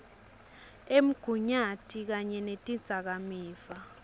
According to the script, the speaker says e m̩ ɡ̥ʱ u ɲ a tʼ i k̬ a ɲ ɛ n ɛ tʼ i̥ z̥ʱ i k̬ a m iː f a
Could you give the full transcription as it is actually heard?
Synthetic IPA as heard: e m̩ ɡ̥ʱ u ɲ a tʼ i k̬ a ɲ ɛ n e tʼ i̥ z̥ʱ a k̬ a m iː f a